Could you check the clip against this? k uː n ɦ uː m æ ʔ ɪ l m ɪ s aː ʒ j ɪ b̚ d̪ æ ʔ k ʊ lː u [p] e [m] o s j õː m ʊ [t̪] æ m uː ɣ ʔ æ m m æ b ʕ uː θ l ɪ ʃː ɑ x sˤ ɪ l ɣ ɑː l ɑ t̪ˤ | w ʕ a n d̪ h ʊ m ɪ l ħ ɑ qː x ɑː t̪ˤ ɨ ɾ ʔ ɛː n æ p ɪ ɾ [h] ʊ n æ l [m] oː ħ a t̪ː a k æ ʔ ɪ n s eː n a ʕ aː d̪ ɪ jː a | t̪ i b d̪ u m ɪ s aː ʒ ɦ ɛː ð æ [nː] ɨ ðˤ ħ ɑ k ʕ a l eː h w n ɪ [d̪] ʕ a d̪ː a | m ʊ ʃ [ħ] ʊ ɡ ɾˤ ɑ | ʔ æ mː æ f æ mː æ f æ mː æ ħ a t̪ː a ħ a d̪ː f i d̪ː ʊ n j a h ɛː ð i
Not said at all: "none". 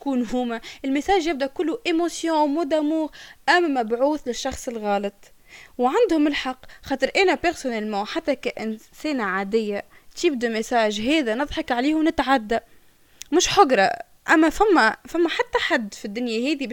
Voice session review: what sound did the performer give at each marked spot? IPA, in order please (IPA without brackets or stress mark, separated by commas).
ʔ, m, d̪, s, m, n, t̪, ħ